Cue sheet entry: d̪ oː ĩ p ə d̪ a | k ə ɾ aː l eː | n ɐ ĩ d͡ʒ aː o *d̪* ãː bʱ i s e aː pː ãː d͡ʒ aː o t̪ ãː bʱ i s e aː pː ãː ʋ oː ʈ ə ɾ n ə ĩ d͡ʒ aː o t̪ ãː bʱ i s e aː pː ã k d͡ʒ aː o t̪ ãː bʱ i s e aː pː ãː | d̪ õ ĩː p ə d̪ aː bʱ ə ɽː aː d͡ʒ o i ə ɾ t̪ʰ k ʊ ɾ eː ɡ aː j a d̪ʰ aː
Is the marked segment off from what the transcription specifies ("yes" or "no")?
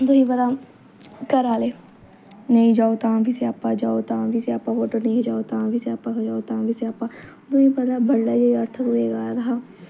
yes